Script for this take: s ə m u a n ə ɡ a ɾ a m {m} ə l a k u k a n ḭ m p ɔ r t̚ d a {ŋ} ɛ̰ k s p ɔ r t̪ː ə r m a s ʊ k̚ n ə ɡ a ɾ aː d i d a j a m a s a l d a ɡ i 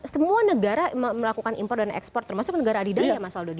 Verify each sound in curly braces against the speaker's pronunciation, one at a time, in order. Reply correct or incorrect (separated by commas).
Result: correct, incorrect